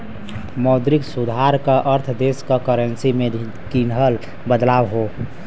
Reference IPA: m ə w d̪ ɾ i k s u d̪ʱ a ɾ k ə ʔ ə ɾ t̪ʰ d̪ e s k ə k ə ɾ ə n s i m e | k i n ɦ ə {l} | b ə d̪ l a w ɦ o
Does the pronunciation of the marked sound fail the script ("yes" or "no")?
no